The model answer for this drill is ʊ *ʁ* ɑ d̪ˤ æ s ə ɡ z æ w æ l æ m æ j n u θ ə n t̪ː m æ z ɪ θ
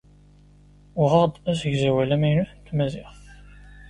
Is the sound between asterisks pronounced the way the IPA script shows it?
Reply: yes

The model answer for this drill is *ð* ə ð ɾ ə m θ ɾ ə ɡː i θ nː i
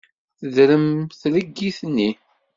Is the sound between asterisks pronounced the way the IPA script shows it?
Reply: no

